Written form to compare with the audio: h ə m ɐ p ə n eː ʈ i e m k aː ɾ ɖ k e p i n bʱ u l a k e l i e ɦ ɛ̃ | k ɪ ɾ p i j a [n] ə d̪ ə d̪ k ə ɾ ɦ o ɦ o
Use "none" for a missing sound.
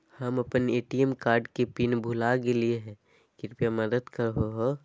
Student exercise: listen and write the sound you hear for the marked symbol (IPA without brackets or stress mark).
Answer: m